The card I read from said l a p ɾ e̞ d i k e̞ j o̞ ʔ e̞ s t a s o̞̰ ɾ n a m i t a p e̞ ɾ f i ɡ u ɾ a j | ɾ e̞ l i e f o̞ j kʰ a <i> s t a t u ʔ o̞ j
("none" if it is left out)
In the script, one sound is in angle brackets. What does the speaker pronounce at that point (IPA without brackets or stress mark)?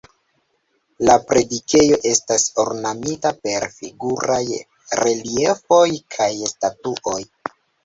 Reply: j